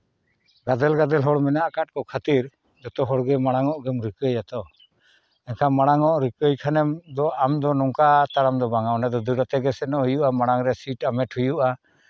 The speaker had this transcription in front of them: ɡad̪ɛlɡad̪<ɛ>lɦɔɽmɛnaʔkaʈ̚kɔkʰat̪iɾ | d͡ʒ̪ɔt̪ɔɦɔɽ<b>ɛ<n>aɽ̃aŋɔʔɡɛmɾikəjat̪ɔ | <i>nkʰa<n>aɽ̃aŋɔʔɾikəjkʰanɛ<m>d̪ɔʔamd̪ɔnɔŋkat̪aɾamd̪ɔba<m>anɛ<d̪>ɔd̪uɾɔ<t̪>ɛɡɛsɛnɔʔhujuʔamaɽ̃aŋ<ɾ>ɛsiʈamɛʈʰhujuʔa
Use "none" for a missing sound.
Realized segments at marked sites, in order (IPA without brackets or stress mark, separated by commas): ɛ, ɡ, m, ɛ, m, m, ŋ, d̪, t̪, ɾ